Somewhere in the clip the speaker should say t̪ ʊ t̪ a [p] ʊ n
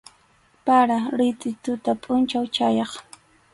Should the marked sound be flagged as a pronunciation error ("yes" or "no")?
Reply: yes